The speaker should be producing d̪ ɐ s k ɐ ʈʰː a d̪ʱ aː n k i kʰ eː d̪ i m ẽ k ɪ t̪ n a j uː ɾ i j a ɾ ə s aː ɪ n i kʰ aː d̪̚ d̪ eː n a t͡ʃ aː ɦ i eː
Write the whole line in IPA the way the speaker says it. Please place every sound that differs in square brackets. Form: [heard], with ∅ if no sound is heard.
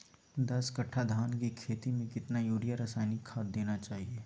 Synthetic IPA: d̪ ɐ s k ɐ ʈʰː a d̪ʱ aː n k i kʰ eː [t̪] i m ẽ k ɪ t̪ n a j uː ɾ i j a ɾ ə s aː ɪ n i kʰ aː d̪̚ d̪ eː n a t͡ʃ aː ɦ i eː